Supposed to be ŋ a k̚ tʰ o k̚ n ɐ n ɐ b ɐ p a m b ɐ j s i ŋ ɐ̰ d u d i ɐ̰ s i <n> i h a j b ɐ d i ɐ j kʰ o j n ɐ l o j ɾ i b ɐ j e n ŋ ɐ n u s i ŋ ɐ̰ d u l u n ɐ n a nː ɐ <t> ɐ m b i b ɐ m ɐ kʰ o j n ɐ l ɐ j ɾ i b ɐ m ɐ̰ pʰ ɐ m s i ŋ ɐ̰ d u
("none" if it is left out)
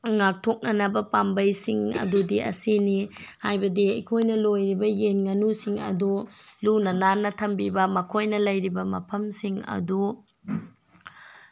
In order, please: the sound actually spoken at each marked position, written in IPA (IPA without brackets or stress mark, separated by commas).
n, tʰ